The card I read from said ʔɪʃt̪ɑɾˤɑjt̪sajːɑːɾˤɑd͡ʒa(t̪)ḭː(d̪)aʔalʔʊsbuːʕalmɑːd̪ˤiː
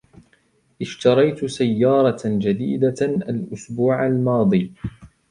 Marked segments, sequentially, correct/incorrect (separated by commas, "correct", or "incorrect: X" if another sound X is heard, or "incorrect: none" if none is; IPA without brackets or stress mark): incorrect: d̪, correct